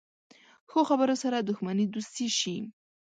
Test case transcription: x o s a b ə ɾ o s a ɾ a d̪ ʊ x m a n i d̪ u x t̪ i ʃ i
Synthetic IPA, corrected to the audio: x o x a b ə ɾ o s a ɾ a d̪ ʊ x m a n i d̪ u s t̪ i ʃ i